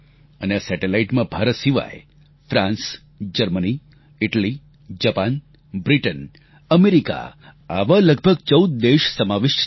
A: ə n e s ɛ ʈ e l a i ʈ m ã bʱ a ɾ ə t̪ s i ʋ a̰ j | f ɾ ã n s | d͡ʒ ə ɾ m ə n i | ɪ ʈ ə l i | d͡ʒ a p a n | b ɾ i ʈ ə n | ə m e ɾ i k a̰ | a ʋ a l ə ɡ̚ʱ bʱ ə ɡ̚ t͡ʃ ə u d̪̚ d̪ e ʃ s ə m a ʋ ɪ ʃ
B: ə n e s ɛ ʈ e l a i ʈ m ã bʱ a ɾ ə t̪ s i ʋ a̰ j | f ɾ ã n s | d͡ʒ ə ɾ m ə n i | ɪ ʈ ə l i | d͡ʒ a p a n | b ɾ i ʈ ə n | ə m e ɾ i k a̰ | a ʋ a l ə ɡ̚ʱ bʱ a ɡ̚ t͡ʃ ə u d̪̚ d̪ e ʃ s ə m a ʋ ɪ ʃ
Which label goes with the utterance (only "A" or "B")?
A